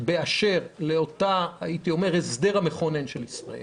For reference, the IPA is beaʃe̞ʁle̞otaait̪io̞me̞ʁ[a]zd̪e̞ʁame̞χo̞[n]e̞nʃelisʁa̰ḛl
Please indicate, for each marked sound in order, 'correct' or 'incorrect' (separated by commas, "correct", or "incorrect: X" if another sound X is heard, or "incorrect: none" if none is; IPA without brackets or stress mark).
incorrect: e, correct